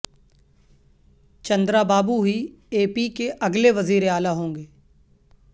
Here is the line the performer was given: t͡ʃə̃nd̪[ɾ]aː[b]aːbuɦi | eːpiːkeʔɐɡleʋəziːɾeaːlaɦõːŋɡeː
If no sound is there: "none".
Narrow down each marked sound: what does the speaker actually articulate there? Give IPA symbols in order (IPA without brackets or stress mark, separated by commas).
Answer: ɾ, b